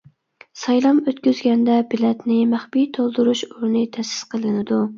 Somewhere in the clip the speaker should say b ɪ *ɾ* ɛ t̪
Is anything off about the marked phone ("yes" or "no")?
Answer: yes